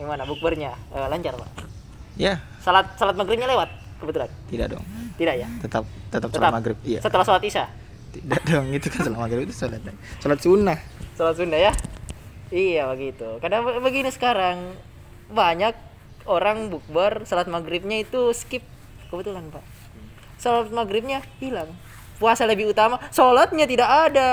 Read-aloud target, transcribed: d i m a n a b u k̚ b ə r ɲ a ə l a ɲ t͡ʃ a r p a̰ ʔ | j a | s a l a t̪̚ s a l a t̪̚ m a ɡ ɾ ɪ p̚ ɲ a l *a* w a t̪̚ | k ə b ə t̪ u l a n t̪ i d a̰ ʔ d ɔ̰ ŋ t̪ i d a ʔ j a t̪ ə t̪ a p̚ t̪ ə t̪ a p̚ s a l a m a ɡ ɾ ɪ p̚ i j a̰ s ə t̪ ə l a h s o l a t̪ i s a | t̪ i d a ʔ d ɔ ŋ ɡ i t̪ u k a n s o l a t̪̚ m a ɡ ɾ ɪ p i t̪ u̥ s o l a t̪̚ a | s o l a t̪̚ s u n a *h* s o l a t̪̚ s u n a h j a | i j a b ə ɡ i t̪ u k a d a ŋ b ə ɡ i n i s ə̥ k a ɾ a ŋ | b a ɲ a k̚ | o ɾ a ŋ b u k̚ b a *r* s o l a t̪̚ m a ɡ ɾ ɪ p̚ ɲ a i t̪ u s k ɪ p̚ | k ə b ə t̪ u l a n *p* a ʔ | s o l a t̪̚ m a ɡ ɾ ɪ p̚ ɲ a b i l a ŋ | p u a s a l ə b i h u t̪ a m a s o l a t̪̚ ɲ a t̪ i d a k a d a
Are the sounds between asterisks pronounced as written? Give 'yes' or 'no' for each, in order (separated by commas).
no, yes, yes, yes